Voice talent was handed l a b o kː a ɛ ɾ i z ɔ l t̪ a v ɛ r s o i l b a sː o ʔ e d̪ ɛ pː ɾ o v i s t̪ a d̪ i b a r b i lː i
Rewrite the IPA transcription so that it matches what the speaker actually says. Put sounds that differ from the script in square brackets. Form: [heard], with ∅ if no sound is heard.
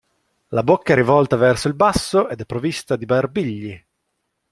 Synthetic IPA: l a b o kː a ɛ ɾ i [v] ɔ l t̪ a v ɛ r s o i l b a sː o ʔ e d̪ ɛ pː ɾ o v i s t̪ a d̪ i b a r b i [ʎː] i